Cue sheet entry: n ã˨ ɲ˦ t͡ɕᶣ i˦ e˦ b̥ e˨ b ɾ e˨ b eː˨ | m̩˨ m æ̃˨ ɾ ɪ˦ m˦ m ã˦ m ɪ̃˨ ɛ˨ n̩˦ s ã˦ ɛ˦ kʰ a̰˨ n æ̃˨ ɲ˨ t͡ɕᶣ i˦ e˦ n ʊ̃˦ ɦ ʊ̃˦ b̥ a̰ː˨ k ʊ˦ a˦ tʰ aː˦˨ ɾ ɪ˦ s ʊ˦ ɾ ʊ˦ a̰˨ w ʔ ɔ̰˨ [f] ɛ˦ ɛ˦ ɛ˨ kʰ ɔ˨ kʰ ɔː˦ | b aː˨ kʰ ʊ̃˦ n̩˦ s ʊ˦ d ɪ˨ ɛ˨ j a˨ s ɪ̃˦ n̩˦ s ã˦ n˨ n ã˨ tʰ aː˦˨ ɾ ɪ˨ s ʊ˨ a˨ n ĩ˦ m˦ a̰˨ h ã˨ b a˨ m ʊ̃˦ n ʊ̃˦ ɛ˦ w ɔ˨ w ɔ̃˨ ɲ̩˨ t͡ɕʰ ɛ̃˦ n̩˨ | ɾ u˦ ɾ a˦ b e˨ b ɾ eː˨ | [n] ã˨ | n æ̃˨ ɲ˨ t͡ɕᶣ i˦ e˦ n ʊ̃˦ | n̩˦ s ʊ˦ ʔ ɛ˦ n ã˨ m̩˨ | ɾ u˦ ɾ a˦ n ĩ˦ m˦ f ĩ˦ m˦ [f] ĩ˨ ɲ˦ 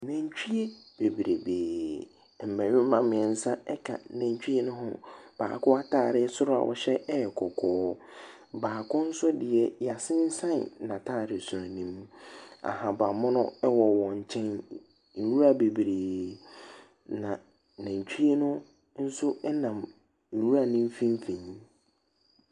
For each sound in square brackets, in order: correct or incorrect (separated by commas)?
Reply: incorrect, correct, correct